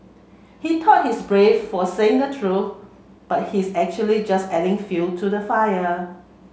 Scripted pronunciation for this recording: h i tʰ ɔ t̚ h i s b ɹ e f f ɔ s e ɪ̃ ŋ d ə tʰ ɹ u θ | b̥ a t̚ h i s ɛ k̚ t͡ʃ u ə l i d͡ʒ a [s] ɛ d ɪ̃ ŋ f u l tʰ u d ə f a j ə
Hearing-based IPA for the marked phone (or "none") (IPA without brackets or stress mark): s